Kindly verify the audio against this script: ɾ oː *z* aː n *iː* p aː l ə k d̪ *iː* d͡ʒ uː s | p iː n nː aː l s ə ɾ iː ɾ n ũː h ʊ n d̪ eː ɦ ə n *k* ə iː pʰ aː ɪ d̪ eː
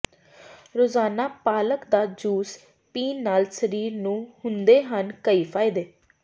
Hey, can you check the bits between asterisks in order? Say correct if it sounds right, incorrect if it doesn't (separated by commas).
correct, incorrect, incorrect, correct